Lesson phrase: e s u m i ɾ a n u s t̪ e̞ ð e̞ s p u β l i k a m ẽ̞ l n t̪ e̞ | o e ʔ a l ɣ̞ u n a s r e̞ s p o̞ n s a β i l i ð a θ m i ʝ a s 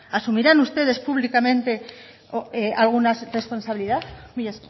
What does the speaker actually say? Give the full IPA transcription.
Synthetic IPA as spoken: a s u m i ɾ a n u s t̪ e̞ ð e̞ s p u β l i k a m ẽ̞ n t̪ e̞ | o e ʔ a l ɣ̞ u n a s r e̞ s p o̞ n s a β i l i ð a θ m i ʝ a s